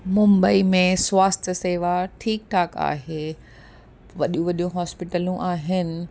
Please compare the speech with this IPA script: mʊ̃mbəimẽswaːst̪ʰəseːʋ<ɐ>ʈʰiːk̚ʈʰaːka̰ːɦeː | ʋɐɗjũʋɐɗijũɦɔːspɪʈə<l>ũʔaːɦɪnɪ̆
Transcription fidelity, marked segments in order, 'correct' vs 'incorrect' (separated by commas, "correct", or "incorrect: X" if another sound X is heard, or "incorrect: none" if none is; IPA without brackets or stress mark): incorrect: a, correct